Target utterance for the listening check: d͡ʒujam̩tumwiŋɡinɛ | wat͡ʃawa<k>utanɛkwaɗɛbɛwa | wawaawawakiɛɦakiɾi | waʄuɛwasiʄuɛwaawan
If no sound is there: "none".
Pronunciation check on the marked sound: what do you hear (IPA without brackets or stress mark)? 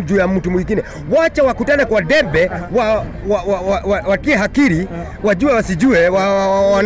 k